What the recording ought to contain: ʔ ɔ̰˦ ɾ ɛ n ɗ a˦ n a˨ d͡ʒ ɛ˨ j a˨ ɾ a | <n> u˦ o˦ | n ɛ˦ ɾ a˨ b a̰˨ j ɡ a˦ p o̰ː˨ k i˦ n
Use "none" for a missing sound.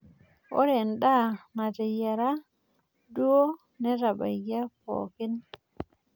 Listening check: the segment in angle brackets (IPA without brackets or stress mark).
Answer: d